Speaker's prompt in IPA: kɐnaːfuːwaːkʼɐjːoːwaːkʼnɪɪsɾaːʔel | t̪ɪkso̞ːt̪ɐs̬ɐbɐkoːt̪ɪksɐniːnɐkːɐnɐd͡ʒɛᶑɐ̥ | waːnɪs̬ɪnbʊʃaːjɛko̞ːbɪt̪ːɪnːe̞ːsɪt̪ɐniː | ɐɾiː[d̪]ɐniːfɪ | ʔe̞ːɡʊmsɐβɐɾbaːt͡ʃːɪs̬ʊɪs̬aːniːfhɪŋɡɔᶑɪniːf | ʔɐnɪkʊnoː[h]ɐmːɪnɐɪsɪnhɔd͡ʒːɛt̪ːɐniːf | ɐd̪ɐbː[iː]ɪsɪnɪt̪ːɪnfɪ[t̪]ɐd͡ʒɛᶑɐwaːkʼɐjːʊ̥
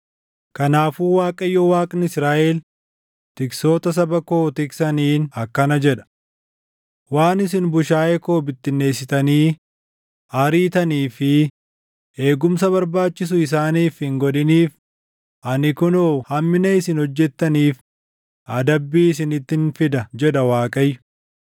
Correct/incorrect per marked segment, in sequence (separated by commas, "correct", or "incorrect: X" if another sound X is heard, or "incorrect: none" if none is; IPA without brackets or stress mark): incorrect: t̪, correct, correct, incorrect: d̪